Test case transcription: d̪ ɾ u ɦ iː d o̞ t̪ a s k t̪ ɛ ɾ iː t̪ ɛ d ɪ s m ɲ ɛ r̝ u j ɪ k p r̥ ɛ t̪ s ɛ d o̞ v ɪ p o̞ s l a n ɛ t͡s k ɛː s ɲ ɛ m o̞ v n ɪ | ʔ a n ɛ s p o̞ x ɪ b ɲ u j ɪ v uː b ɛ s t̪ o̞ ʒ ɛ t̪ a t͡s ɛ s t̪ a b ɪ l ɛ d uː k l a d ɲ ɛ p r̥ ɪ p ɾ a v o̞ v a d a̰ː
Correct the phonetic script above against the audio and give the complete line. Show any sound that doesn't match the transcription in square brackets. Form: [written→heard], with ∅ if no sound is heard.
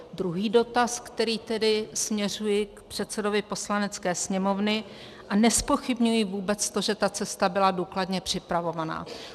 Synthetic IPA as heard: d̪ ɾ u ɦ iː d o̞ t̪ a s k t̪ ɛ ɾ iː t̪ ɛ d ɪ s m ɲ ɛ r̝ u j ɪ k p r̥ ɛ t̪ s ɛ d o̞ v ɪ p o̞ s l a n ɛ t͡s k ɛː s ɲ ɛ m o̞ v n ɪ | ʔ a n ɛ s p o̞ x ɪ b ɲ u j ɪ v uː b ɛ [s→t͡s] t̪ o̞ ʒ ɛ t̪ a t͡s ɛ s t̪ a b ɪ l [ɛ→a] d uː k l a d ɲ ɛ p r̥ ɪ p ɾ a v o̞ v a [d→n] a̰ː